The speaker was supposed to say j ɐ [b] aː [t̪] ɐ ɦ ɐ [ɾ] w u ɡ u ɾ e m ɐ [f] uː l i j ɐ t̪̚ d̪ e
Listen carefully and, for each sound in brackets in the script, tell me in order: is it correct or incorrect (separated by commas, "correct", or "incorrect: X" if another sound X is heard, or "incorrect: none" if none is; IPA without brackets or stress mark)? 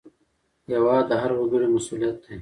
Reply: incorrect: w, incorrect: d̪, correct, incorrect: s